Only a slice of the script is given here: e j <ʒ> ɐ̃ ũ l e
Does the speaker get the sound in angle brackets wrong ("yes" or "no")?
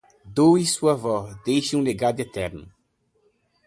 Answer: yes